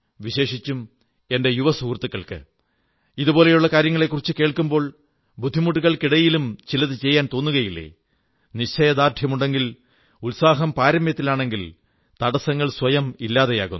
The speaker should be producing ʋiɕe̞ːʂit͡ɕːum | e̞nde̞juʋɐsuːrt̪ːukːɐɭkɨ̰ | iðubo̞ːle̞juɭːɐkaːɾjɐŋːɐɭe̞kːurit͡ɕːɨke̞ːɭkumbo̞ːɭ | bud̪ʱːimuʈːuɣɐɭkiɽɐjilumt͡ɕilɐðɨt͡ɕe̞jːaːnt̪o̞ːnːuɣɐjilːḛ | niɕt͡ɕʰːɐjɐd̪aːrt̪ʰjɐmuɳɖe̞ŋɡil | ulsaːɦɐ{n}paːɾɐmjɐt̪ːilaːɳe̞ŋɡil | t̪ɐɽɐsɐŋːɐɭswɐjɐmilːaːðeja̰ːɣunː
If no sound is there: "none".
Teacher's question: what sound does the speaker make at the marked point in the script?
m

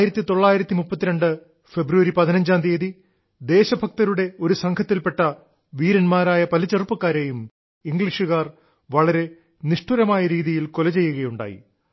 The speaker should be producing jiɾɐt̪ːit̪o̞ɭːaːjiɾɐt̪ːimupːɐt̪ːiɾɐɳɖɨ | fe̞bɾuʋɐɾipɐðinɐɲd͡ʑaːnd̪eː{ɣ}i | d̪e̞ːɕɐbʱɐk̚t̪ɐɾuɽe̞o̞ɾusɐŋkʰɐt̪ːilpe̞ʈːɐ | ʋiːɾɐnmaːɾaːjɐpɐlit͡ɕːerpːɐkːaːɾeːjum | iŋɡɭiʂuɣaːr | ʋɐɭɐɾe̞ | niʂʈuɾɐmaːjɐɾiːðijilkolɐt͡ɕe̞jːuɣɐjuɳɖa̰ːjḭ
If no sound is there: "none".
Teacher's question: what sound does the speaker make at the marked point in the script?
ð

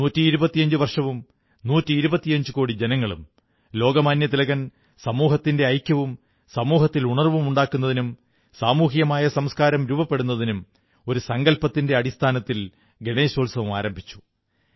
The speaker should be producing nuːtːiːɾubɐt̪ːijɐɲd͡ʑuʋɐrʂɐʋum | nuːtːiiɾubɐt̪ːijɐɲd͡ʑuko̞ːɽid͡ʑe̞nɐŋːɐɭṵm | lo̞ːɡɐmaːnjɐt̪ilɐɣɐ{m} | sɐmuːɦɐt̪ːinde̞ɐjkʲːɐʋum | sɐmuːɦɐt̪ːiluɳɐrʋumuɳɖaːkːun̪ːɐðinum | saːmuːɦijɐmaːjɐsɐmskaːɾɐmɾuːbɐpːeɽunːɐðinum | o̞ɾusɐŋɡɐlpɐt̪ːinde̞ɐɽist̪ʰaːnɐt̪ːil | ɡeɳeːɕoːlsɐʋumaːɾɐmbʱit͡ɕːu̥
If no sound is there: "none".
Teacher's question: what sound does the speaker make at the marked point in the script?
n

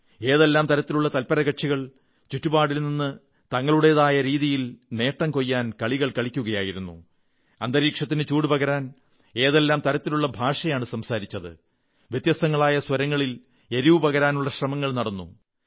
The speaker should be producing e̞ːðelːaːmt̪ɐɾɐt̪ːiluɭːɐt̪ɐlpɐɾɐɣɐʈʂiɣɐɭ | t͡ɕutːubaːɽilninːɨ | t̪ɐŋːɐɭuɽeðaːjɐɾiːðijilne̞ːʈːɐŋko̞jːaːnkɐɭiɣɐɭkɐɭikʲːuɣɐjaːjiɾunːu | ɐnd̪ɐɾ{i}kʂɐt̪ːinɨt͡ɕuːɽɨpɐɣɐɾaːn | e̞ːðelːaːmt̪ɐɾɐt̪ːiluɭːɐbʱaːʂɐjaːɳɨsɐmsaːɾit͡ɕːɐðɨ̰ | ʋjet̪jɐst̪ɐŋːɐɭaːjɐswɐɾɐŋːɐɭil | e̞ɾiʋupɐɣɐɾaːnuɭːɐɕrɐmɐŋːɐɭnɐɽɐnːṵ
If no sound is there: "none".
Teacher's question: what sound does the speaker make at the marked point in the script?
iː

